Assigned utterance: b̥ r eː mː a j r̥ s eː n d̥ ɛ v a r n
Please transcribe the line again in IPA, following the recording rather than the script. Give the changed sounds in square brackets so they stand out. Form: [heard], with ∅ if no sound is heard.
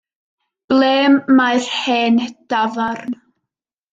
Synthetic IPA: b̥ [l] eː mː a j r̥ [h] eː n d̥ [a] v a r n